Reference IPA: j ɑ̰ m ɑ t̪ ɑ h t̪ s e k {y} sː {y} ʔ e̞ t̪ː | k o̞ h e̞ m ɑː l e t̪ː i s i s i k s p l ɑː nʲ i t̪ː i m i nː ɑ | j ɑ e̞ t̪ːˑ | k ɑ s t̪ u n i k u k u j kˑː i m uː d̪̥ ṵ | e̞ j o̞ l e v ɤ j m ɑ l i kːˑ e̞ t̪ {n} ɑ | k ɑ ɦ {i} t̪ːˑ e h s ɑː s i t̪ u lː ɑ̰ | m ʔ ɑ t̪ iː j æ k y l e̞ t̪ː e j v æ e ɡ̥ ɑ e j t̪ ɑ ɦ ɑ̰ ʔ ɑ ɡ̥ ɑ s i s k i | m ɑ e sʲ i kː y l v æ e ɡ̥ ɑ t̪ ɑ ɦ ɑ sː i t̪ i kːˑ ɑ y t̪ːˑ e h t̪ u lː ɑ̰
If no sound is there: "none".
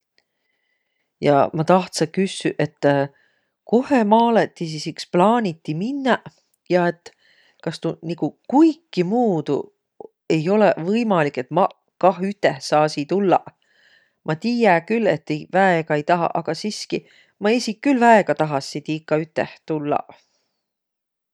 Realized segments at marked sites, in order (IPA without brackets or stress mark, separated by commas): y, y, m, y